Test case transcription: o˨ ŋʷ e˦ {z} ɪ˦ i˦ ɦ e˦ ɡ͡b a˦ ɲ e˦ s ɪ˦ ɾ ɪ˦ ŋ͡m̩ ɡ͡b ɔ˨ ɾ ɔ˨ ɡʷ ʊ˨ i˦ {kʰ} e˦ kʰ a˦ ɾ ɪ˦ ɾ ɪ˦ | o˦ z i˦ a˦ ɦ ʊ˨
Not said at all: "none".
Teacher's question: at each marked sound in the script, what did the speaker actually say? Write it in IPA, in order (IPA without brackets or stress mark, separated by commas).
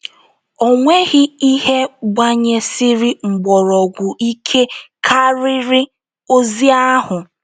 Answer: ɣ, kʰ